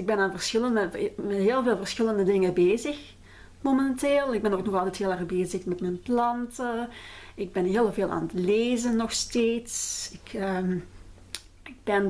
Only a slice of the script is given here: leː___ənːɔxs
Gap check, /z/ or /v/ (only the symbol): z